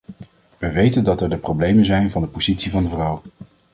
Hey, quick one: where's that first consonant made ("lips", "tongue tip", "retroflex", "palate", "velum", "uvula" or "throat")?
lips